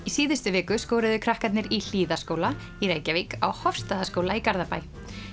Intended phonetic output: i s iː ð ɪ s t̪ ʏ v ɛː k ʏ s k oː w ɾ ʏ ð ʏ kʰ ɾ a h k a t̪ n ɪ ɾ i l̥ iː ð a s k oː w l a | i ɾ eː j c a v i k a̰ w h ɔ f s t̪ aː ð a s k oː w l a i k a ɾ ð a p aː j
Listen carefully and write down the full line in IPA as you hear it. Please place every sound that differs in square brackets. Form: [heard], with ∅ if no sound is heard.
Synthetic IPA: i s iː ð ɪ s t̪ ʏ v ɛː k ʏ s k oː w ɾ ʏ ð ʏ kʰ ɾ a h k a t̪ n ɪ ɾ i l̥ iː ð a s k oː w l a | i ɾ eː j c a v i k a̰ w h ɔ f s t̪ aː ð a s k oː w l a i k a ɾ ð a p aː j